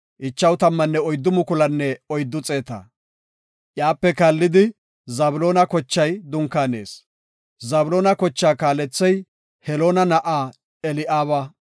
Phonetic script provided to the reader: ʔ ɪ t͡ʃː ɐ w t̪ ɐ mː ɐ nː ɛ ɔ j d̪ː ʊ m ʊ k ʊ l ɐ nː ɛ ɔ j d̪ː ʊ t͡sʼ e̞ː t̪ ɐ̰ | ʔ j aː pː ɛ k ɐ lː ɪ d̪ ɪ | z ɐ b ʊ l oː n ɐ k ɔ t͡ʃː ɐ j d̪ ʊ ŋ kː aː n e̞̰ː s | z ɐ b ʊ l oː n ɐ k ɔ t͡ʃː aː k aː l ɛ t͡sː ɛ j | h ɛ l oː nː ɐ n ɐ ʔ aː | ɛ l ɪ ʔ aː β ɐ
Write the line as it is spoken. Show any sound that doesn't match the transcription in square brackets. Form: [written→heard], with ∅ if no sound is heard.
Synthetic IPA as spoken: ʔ ɪ t͡ʃː ɐ w t̪ ɐ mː ɐ nː ɛ ɔ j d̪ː ʊ m ʊ k ʊ l ɐ nː ɛ ɔ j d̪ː ʊ t͡sʼ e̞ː t̪ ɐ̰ | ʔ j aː pː ɛ k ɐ lː ɪ d̪ ɪ | z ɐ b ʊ l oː n ɐ k ɔ t͡ʃː ɐ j d̪ ʊ ŋ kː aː n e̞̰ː s | z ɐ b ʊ l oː n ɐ k ɔ t͡ʃː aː k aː l ɛ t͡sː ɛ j | h ɛ l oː [nː→n] ɐ n ɐ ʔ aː | ɛ l ɪ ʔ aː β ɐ